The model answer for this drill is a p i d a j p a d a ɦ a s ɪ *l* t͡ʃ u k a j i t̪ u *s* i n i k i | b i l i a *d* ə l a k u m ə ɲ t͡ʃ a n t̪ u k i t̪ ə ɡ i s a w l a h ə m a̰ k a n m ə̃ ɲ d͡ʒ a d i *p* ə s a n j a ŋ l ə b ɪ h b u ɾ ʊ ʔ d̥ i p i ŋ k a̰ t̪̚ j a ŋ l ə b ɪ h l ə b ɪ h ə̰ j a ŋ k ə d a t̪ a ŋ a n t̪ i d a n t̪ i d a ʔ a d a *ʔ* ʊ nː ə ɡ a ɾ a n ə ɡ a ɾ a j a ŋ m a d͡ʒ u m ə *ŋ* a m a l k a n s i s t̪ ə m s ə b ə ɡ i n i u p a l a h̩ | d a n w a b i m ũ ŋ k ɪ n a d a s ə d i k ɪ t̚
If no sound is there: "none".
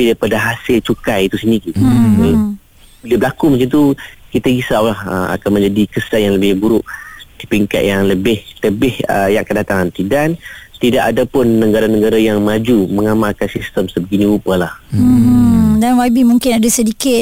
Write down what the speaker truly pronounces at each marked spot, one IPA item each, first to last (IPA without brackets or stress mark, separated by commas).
l, s, b, k, p, ŋ